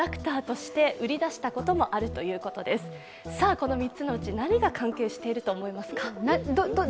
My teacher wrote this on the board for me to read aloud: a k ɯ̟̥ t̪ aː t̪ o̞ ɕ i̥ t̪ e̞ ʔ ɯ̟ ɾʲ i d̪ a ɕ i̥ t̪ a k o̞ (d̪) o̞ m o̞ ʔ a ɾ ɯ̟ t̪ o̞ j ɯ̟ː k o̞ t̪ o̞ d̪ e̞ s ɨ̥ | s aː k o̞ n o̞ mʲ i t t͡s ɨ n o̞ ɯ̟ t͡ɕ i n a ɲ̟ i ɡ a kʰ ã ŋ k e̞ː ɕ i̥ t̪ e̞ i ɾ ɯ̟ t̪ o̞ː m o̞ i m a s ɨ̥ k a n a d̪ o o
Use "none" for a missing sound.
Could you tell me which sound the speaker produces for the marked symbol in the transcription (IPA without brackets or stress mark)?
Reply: t̪